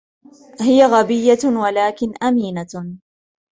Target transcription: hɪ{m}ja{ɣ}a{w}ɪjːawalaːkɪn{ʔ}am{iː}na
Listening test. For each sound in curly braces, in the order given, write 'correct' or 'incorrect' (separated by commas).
incorrect, correct, incorrect, correct, correct